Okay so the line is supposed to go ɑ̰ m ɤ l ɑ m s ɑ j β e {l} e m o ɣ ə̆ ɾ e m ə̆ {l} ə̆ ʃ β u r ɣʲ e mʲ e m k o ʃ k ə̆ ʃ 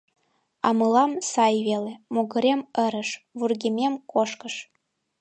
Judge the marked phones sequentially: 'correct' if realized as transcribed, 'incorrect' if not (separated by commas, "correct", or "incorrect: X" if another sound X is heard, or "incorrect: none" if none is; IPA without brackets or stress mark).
correct, incorrect: ɾ